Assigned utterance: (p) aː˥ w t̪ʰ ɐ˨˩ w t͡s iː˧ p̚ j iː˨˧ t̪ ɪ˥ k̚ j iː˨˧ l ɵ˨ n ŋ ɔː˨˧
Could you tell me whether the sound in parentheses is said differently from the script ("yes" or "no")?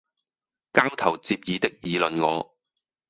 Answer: yes